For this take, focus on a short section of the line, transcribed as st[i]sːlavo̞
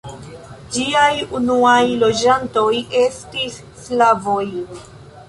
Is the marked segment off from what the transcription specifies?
no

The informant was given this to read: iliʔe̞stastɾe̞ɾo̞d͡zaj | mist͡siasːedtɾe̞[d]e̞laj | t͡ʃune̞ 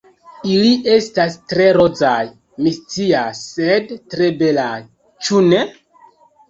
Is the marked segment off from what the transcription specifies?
yes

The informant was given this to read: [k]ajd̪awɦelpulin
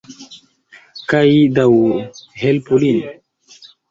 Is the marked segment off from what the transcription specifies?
no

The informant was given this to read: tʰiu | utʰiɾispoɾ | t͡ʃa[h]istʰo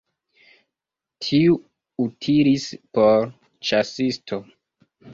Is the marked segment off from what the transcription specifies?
yes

